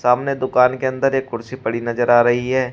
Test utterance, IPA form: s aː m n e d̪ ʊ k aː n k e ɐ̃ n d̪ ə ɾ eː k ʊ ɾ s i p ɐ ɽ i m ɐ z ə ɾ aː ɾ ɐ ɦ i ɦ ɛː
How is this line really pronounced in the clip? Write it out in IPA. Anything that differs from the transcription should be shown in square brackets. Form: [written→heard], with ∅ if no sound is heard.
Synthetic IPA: s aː m n e d̪ ʊ k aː n k e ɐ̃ n d̪ ə ɾ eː k ʊ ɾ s i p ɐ ɽ i [m→n] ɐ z ə ɾ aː ɾ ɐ ɦ i ɦ ɛː